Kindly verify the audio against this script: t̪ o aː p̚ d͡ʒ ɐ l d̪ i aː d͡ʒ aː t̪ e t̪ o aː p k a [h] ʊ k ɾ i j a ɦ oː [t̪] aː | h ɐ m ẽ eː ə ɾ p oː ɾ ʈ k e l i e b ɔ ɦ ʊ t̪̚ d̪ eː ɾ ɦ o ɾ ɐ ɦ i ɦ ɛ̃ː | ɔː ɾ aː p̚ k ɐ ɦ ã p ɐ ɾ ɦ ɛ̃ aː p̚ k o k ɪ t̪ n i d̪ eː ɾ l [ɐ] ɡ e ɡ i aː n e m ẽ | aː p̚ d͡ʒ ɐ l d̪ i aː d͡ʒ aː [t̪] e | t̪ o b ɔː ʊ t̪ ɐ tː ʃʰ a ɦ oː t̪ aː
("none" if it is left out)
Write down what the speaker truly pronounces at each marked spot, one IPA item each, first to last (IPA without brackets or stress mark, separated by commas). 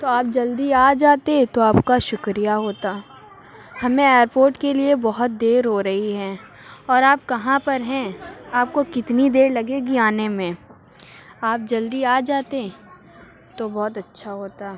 ʃ, t̪, ɐ, t̪